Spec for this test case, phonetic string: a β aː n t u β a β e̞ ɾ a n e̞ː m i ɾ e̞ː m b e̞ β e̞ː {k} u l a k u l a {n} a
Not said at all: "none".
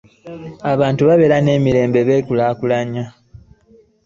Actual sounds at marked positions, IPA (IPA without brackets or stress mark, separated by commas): k, ɲ